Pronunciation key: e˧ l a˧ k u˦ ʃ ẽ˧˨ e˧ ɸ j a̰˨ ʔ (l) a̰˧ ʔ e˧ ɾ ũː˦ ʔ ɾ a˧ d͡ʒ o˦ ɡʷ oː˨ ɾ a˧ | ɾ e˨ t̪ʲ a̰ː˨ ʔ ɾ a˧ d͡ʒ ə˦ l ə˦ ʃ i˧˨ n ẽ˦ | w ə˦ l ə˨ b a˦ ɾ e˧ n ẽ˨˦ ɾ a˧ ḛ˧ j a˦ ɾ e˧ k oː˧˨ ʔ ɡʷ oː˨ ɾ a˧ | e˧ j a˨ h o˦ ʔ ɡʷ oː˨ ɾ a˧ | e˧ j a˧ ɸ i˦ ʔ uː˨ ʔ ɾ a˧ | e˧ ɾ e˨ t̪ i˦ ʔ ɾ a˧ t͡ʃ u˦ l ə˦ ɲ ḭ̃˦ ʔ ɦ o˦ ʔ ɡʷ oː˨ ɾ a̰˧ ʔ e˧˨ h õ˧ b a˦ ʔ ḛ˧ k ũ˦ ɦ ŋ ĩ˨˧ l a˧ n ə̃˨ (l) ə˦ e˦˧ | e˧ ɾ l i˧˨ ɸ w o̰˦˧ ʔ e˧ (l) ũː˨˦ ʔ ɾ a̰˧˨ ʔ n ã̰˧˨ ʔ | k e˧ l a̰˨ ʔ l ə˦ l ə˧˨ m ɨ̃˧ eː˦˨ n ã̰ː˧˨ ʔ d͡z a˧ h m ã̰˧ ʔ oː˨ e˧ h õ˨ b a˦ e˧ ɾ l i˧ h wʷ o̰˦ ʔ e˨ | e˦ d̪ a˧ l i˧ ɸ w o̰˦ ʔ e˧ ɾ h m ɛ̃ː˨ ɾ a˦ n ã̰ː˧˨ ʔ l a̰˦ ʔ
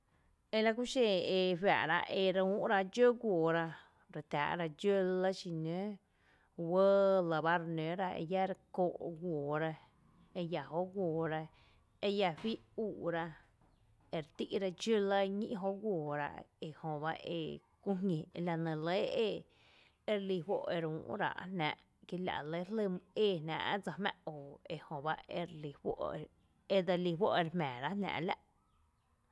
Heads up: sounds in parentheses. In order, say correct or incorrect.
incorrect: ɾ, correct, incorrect: ɾ

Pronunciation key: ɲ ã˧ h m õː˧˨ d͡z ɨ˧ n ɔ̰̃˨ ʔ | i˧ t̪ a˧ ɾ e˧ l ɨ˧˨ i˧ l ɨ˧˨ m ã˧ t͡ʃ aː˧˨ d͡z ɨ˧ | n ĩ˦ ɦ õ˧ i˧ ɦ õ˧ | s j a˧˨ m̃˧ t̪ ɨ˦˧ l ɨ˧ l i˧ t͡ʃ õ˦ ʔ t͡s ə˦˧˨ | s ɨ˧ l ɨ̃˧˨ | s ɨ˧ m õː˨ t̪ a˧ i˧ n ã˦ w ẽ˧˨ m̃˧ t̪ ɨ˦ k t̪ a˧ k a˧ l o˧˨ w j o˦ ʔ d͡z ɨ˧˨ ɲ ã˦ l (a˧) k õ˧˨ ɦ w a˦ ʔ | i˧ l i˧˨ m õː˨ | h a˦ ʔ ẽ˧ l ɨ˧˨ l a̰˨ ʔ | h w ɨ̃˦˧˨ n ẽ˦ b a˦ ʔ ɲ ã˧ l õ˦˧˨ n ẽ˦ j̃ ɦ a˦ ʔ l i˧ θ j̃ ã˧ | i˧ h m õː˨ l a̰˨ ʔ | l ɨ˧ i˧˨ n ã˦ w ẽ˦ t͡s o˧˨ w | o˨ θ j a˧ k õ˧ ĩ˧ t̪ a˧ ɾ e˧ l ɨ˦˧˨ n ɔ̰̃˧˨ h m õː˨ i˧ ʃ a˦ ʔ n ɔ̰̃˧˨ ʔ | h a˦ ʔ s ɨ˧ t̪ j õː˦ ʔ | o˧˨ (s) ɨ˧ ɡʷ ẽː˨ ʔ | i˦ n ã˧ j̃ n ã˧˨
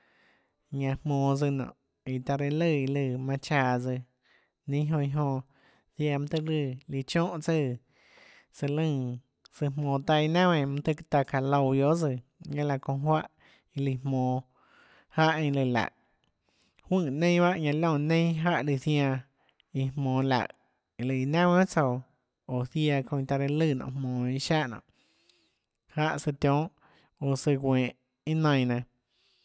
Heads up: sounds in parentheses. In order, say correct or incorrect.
correct, correct

